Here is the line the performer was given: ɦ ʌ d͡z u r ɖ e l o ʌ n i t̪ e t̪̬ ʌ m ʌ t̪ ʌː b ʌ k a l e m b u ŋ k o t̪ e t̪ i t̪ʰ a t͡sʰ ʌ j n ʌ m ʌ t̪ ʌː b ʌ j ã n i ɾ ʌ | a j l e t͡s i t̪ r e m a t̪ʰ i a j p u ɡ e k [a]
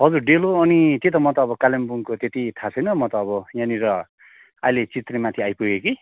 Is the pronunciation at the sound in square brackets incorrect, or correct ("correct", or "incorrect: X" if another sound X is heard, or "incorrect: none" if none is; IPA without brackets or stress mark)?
incorrect: i